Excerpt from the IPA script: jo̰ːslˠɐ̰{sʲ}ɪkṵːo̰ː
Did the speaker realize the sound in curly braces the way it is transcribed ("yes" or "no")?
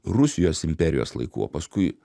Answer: no